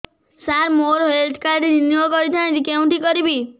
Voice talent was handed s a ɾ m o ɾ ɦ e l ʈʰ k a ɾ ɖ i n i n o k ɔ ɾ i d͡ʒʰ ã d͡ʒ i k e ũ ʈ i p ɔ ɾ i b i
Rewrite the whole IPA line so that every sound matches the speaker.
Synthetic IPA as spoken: s a ɾ m o ɾ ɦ e l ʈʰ k a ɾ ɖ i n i n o k ɔ ɾ i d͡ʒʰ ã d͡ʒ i k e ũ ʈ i k ɔ ɾ i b i